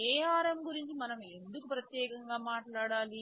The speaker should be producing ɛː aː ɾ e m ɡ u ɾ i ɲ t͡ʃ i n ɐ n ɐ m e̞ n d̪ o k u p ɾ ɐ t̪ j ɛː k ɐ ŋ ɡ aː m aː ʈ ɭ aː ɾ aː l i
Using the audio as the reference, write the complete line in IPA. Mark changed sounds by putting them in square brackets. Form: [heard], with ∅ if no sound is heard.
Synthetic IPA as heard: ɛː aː ɾ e m ɡ u ɾ i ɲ t͡ʃ i [m] ɐ n ɐ m e̞ n d̪ [u] k u p ɾ ɐ t̪ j ɛː k ɐ ŋ ɡ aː m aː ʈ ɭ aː [ɽ] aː l i